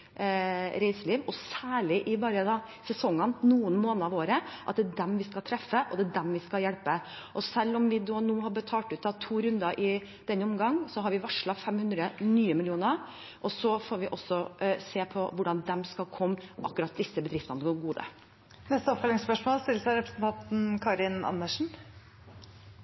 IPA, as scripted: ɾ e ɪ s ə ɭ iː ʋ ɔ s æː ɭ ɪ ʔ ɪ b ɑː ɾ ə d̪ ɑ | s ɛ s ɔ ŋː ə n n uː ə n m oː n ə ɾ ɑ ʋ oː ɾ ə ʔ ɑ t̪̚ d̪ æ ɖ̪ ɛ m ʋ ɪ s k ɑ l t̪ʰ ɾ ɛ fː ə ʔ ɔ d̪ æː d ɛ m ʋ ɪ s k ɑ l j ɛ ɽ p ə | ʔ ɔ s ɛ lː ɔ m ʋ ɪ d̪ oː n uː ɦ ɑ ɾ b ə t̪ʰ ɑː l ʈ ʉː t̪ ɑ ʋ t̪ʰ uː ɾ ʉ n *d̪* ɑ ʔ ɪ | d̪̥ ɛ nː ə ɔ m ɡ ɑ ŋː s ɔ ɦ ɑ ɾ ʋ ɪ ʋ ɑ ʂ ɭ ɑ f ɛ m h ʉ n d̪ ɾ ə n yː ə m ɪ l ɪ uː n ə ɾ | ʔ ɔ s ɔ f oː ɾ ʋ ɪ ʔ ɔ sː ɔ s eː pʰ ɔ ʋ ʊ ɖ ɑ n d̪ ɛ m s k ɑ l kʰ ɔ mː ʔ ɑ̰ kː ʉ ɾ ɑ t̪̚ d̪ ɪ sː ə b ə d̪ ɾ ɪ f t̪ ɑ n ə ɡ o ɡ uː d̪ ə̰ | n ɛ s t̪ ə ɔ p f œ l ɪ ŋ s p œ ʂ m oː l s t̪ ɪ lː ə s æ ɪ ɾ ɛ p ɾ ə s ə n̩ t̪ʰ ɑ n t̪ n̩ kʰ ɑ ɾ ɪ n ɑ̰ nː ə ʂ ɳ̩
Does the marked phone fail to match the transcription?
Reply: no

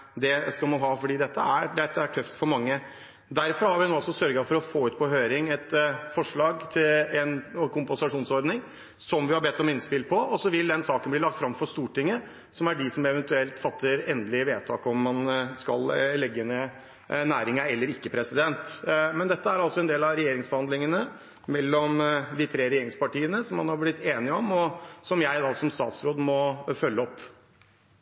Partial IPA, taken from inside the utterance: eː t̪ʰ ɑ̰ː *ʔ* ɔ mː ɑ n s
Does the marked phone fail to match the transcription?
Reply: yes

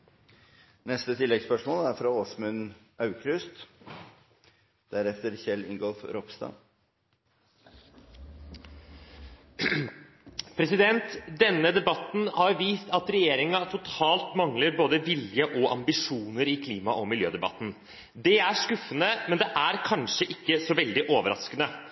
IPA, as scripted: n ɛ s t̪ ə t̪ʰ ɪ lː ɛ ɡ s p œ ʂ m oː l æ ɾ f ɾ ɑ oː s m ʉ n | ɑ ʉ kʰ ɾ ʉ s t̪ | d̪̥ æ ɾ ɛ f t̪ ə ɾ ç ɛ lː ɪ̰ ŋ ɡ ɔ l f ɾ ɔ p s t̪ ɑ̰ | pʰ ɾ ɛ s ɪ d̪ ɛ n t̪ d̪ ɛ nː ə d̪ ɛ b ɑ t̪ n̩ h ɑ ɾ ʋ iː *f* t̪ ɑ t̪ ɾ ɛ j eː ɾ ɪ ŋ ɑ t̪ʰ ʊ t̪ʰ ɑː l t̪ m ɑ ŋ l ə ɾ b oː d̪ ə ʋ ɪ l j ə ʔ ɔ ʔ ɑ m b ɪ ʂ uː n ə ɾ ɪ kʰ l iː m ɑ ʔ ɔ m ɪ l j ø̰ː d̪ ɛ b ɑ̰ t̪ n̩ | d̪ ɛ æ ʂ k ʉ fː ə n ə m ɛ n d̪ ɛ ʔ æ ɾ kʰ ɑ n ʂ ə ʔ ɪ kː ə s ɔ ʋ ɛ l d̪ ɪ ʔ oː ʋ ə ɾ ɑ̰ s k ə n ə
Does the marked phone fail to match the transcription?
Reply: yes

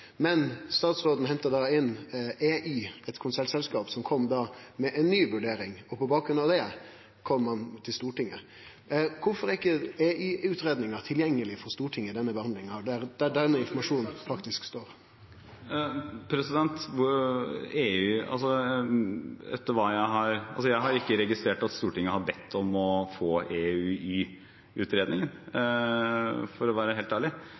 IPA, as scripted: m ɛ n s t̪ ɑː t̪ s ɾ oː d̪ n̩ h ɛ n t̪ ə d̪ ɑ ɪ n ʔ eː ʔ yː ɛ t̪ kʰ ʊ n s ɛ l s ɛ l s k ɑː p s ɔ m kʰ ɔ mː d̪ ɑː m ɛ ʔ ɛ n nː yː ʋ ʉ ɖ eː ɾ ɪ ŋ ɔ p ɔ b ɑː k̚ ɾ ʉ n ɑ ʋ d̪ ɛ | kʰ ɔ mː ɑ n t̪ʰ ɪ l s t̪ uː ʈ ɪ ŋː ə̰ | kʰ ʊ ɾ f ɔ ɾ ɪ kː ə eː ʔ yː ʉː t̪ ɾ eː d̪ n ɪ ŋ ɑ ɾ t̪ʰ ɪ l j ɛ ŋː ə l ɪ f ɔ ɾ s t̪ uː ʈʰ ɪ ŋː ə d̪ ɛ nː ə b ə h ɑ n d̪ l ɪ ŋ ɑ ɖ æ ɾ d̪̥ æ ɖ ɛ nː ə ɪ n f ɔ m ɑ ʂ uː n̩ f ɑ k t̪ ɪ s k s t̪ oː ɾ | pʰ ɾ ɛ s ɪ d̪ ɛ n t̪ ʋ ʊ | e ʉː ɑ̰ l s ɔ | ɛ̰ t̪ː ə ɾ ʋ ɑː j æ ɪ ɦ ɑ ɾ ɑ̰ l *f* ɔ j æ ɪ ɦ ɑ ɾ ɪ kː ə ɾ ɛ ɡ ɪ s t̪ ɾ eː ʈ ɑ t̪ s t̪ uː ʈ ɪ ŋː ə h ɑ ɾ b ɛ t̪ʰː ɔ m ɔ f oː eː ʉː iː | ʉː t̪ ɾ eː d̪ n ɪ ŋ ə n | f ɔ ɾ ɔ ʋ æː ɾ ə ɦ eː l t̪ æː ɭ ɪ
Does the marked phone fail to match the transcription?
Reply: yes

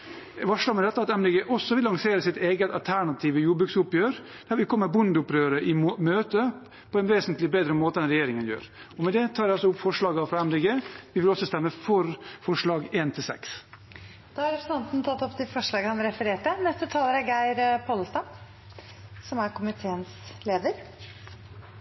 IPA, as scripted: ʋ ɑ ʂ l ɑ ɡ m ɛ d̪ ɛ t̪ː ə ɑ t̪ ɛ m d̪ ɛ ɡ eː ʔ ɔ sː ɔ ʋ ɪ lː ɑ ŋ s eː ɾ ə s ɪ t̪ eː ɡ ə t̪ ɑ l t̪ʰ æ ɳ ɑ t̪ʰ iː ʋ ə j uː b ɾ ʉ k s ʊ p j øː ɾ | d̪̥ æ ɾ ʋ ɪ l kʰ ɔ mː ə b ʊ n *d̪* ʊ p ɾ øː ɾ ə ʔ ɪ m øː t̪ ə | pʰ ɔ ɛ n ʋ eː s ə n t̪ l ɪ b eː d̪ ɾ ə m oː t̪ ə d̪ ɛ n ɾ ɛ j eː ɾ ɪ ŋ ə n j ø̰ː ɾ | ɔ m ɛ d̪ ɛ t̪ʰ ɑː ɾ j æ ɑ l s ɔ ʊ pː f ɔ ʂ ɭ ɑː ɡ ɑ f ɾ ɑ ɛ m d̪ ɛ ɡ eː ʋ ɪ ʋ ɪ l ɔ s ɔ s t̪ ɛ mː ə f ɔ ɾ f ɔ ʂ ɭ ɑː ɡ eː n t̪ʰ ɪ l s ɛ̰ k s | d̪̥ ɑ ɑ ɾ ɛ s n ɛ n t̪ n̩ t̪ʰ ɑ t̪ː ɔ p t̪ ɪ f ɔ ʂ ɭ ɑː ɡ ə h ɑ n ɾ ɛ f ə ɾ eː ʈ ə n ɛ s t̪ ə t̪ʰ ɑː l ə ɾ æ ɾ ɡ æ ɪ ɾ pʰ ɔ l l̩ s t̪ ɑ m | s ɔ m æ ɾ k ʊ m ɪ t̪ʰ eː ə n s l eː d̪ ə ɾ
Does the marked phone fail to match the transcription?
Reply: no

